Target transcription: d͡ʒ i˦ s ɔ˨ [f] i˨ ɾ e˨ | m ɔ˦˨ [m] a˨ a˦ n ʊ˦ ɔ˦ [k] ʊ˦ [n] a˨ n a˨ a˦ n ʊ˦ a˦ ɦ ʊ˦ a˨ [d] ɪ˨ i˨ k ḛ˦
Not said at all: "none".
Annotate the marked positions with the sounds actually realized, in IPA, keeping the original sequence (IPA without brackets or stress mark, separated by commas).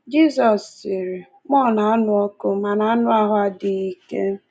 s, n, k, m, d